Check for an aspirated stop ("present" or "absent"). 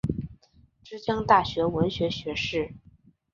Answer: absent